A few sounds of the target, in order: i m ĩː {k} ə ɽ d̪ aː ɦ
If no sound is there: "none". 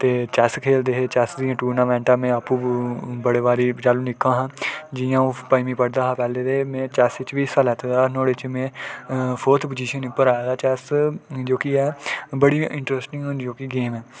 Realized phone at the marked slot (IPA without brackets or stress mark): p